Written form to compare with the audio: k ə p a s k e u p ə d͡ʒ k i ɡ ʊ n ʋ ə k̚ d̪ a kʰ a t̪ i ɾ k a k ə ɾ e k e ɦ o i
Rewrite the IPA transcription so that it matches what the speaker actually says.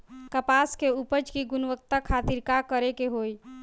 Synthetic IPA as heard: k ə p a s k e u p ə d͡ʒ k i ɡ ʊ n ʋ ə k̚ t̪ a kʰ a t̪ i ɾ k a k ə ɾ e k e ɦ o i